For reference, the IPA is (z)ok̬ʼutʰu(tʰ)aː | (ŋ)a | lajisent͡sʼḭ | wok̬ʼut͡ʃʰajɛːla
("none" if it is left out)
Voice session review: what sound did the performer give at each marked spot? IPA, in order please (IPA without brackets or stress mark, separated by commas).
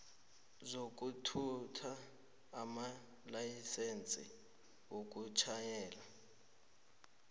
z, tʰ, m